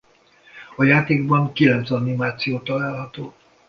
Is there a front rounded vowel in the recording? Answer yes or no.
no